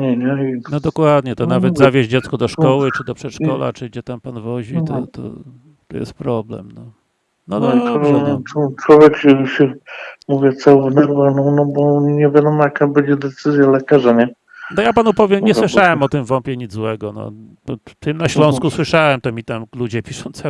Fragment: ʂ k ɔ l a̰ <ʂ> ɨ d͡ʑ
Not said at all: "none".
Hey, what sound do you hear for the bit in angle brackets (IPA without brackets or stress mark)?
t͡ʂ